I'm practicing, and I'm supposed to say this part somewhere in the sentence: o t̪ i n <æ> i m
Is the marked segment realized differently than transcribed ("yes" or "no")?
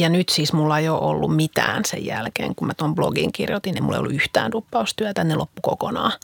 yes